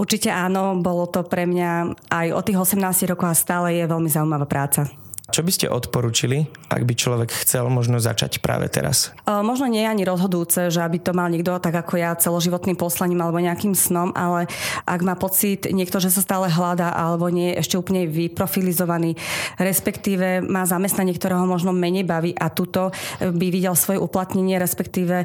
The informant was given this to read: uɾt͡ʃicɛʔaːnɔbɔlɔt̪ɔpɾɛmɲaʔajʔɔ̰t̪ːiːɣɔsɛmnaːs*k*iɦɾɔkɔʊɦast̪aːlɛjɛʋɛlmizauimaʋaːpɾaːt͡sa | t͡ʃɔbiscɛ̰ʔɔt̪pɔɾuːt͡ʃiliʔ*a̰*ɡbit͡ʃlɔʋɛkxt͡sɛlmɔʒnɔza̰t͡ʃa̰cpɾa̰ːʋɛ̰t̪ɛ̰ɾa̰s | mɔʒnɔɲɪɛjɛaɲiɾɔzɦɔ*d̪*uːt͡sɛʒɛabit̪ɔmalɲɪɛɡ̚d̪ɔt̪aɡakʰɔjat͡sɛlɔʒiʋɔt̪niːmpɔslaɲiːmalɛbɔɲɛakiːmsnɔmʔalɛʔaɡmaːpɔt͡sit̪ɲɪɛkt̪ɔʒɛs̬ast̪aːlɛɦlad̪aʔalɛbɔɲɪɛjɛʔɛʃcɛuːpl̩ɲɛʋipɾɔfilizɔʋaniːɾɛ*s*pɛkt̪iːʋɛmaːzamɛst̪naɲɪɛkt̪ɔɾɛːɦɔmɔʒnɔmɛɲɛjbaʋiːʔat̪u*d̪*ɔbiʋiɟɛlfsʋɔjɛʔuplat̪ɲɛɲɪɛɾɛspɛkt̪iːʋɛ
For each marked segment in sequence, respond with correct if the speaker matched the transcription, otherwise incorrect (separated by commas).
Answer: incorrect, correct, correct, correct, incorrect